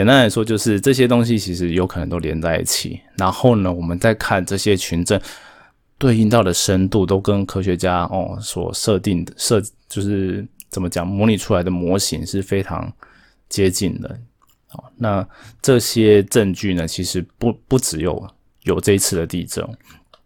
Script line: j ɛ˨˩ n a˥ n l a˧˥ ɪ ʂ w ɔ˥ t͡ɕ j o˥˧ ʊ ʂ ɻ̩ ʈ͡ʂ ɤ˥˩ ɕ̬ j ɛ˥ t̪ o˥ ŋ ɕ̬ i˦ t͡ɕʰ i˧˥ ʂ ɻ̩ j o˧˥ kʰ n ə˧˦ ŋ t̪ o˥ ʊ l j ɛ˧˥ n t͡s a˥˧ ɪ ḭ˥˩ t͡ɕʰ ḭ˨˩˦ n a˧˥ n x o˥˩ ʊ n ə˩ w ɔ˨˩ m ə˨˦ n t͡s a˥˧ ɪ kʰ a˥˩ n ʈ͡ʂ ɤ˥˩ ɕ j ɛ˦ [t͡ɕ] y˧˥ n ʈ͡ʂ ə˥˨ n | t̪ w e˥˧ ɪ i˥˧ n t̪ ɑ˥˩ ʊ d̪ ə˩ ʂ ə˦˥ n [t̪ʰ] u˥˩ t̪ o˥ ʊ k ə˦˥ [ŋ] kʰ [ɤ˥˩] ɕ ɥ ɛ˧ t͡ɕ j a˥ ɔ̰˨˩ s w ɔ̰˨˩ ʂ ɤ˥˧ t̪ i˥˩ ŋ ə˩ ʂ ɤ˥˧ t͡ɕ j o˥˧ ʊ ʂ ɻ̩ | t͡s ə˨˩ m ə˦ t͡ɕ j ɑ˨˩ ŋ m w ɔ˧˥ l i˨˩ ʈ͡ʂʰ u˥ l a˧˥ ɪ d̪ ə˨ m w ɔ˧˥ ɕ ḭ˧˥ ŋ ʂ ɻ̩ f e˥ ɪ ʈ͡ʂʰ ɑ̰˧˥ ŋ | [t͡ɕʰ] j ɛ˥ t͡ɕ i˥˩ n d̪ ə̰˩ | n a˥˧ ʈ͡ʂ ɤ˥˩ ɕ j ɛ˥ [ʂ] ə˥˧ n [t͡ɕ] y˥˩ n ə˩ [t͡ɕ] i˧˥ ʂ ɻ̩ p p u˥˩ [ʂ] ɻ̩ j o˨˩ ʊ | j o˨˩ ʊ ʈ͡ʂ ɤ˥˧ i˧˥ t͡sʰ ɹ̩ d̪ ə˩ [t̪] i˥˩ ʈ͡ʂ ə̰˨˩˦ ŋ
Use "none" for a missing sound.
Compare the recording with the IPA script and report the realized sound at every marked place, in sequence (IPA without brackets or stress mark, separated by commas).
t͡ɕʰ, t̪, n, ɤ˥, t͡ɕ, ʈ͡ʂ, t͡ɕ, t͡ɕʰ, ʈ͡ʂ, t̪